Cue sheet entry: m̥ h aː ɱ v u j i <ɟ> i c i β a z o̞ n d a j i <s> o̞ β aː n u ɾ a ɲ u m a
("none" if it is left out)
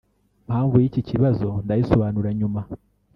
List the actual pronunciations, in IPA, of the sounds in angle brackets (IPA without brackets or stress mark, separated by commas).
c, s